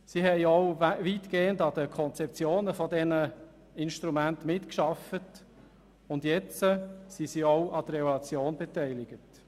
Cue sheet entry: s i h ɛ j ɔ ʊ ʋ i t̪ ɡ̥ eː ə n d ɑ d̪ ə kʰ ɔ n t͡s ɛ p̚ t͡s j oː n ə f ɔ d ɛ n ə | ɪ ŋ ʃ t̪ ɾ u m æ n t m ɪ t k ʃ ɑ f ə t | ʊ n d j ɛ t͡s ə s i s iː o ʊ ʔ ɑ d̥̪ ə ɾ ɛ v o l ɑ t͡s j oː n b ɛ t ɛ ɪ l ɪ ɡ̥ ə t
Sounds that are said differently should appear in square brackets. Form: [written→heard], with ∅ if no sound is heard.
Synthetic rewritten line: s i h ɛ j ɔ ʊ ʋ i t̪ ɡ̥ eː ə n d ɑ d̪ ə kʰ ɔ n t͡s ɛ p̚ t͡s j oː n ə f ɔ d ɛ n ə | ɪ [ŋ→n] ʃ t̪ ɾ u m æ n t m ɪ t k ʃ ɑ f ə t | ʊ n d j ɛ t͡s ə s i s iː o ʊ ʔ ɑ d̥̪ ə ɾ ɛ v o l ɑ t͡s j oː n b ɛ t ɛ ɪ l ɪ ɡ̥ ə t